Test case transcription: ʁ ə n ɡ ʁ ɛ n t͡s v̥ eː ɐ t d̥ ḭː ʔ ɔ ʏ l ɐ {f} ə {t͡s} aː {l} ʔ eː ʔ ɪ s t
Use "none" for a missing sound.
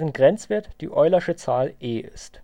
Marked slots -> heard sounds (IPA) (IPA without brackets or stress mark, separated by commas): ʃ, t͡s, l